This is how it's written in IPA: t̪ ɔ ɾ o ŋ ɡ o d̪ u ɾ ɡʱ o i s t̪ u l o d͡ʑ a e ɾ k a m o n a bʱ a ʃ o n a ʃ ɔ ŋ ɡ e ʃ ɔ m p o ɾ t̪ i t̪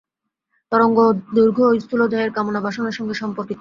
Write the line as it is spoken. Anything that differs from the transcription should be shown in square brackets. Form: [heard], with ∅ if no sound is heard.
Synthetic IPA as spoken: t̪ ɔ ɾ o ŋ ɡ o d̪ u ɾ ɡʱ o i s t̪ u l o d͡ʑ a e ɾ k a m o n a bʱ a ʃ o n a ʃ ɔ ŋ ɡ e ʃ ɔ m p o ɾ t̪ i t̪

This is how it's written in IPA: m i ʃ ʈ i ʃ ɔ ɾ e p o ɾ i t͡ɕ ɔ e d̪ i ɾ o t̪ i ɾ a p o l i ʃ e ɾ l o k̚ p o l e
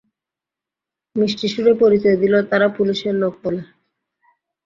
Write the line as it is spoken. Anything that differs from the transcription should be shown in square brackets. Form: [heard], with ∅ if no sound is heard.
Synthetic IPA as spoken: m i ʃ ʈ i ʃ [u] ɾ e p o ɾ i t͡ɕ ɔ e d̪ i [l] o t̪ [a] ɾ a p [u] l i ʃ e ɾ l o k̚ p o l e

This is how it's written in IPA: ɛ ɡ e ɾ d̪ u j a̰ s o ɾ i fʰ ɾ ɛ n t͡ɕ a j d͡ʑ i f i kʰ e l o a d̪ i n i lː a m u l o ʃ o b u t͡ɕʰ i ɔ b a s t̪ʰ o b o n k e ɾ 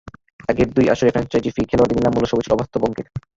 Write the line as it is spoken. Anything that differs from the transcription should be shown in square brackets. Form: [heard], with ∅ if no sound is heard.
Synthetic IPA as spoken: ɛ ɡ e ɾ d̪ u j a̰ [ʃ] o ɾ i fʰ ɾ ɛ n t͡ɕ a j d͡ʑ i f i kʰ e l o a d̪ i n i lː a m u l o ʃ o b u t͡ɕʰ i ɔ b a s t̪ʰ o b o [ŋ] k e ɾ

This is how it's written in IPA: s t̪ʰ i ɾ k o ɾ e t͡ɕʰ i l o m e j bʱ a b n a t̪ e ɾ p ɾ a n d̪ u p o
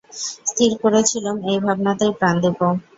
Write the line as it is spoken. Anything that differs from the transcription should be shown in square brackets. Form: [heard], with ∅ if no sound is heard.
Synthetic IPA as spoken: s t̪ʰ i ɾ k o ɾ e t͡ɕʰ i l o m e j bʱ a b n a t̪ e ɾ p ɾ a n d̪ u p o

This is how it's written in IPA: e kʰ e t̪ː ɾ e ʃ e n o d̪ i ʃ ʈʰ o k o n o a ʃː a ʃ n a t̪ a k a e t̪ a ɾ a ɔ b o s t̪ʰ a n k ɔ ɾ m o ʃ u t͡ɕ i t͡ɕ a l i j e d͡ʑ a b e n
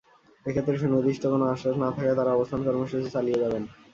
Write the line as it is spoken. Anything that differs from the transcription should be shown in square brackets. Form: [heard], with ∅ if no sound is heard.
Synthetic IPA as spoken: e kʰ e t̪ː ɾ e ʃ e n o d̪ i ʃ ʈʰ o k o n o a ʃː a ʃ n a [t̪ʰ] a k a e t̪ a ɾ a ɔ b o s t̪ʰ a n k ɔ ɾ m o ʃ u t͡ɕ i t͡ɕ a l i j e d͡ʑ a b e n

